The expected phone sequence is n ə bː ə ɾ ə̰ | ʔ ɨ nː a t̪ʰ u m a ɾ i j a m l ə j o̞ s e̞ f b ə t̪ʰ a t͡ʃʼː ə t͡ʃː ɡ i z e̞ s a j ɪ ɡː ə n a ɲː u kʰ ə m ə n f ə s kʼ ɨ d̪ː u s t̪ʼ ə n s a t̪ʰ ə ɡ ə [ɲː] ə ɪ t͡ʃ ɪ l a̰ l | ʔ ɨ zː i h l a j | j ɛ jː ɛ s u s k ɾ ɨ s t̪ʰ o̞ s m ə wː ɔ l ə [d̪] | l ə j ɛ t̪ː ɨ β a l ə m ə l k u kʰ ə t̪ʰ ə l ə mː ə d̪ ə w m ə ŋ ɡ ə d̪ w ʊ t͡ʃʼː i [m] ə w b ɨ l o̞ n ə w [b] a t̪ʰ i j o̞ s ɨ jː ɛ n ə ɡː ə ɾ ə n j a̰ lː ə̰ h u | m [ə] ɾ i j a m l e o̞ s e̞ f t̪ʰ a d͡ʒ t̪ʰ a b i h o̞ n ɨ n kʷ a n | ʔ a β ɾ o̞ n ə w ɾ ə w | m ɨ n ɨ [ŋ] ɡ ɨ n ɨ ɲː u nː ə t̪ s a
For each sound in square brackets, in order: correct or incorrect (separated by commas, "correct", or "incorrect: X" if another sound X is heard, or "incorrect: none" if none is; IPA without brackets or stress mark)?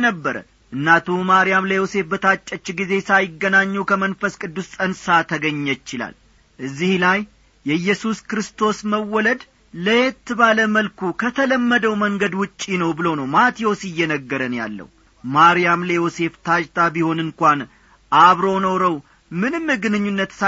correct, correct, incorrect: n, incorrect: m, incorrect: a, incorrect: m